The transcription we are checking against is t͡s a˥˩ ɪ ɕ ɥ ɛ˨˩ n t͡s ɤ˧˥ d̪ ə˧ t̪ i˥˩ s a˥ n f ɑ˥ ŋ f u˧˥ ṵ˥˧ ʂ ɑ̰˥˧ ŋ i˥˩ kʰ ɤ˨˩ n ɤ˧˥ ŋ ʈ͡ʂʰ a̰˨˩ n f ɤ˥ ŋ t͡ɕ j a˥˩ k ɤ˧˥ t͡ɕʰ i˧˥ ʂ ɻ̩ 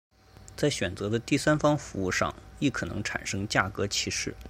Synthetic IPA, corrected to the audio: t͡s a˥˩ ɪ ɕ ɥ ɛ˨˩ n t͡s ɤ˧˥ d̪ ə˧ t̪ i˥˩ s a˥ n f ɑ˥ ŋ f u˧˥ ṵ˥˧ ʂ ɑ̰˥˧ ŋ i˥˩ kʰ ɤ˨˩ n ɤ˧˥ ŋ ʈ͡ʂʰ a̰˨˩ n ʂ ɤ˥ ŋ t͡ɕ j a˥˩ k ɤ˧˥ t͡ɕʰ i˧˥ ʂ ɻ̩